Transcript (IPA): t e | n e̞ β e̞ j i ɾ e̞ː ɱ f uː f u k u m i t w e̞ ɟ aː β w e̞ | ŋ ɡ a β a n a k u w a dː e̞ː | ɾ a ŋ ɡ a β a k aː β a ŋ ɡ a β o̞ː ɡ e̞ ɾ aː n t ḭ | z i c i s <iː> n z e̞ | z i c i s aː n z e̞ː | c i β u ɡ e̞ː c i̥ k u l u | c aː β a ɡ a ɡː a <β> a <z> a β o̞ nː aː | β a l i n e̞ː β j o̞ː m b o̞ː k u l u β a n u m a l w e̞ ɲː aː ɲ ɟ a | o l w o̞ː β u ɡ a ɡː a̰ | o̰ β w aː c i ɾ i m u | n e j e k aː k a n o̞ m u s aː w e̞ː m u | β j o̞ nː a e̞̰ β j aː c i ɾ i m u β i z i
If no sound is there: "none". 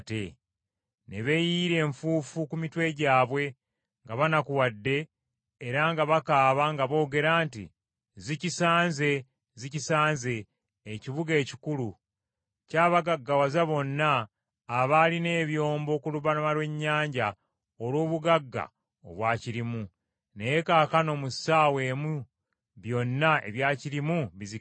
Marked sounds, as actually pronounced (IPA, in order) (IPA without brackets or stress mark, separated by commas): aː, w, z